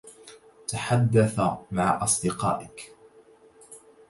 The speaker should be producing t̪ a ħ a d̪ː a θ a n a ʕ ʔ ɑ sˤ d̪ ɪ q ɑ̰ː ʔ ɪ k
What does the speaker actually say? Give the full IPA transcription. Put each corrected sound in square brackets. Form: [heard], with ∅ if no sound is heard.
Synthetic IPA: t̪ a ħ a d̪ː a θ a [m] a ʕ ʔ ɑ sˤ d̪ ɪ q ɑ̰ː ʔ ɪ k

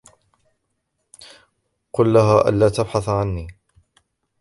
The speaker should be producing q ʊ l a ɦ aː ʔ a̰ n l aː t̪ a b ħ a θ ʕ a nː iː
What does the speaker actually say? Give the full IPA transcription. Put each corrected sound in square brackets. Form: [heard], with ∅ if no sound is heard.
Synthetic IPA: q ʊ [lː] a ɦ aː ʔ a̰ n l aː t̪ a b ħ a θ ʕ a nː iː

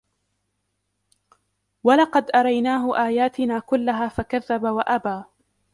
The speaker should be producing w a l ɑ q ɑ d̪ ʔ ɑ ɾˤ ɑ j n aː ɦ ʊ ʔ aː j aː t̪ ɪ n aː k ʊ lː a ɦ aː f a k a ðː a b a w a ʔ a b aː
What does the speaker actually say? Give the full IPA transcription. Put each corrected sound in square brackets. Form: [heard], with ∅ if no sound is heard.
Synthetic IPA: w a l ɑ q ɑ d̪ ʔ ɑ ɾˤ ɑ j n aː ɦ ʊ ʔ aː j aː t̪ ɪ n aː k ʊ lː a ɦ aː f a k a ðː a b a w a ʔ a b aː

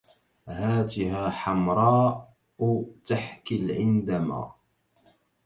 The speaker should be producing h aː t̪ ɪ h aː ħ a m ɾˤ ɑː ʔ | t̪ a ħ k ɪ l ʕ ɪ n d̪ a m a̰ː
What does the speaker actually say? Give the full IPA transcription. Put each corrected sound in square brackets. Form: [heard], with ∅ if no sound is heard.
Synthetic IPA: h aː t̪ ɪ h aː ħ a m ɾˤ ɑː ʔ | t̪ a ħ k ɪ l ʕ ɪ n d̪ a m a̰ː

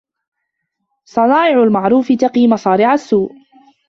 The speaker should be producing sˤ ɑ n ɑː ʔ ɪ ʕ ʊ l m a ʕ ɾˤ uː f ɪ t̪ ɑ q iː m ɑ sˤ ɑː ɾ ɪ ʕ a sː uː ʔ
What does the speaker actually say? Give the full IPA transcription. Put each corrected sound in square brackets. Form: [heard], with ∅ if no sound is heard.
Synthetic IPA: sˤ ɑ n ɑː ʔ ɪ ʕ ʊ l m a ʕ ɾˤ uː f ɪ t̪ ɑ q iː m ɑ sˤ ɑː ɾ ɪ ʕ a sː uː ʔ

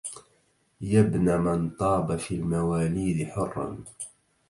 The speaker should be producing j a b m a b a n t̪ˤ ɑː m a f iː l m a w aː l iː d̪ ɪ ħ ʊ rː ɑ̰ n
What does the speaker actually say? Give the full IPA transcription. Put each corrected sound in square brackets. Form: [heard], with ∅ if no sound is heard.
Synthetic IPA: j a b [n] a [m] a n t̪ˤ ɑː [b] a f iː l m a w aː l iː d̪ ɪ ħ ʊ rː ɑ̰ n

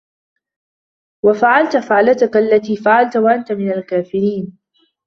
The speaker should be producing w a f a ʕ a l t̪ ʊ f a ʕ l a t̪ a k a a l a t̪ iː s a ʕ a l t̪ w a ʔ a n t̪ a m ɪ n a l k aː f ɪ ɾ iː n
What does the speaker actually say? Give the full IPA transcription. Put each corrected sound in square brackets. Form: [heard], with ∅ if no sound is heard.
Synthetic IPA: w a f a ʕ a l t̪ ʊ f a ʕ l a t̪ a k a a [lː] a t̪ iː [f] a ʕ a l t̪ w a ʔ a n t̪ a m ɪ n a l k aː f ɪ ɾ iː n

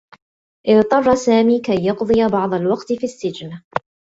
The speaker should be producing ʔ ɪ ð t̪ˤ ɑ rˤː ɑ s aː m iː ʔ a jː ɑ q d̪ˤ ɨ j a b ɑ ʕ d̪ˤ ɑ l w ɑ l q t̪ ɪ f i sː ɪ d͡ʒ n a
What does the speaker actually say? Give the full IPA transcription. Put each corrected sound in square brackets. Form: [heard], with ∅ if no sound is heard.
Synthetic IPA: ʔ ɪ ð t̪ˤ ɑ rˤː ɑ s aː m iː [k] a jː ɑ q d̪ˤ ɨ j a b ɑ ʕ d̪ˤ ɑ l w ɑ [∅] q t̪ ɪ f i sː ɪ d͡ʒ n a

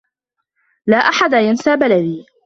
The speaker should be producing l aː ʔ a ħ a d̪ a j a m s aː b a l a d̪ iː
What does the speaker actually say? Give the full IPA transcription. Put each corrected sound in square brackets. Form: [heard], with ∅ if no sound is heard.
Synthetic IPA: l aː ʔ a ħ a d̪ a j a [n] s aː b a l a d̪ iː

